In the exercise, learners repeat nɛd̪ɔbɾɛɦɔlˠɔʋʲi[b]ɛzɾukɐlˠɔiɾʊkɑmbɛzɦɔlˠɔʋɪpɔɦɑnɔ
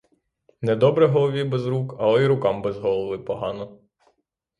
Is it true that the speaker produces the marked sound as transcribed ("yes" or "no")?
yes